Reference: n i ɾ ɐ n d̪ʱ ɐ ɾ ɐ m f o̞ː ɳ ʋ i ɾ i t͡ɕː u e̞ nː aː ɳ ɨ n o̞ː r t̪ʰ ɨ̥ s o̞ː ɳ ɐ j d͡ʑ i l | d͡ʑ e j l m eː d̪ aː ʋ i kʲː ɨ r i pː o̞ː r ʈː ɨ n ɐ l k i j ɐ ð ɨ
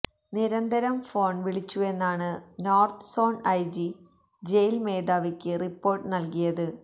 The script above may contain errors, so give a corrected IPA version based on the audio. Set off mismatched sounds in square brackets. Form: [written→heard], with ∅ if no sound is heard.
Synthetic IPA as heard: n i ɾ ɐ n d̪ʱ ɐ ɾ ɐ m f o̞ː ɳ ʋ i [ɾ→ɭ] i t͡ɕː u e̞ nː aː ɳ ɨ n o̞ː r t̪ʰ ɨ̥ s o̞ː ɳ ɐ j d͡ʑ i [l→∅] | d͡ʑ e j l m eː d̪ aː ʋ i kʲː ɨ r i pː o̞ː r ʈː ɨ n ɐ l k i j ɐ ð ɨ